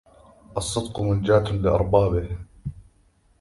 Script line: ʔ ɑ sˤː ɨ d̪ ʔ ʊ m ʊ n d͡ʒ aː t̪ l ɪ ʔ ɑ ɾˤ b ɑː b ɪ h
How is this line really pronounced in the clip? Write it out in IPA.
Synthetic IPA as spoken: ʔ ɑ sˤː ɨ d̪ q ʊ m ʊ n d͡ʒ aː t̪ l ɪ ʔ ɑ ɾˤ b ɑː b ɪ h